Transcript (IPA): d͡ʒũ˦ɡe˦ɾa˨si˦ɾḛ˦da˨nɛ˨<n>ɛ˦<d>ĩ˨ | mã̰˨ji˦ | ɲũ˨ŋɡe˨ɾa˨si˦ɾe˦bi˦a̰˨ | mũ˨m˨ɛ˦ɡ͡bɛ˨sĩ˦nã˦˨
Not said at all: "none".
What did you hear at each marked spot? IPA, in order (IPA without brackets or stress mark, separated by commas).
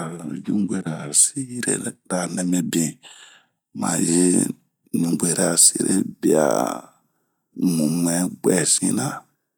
m, b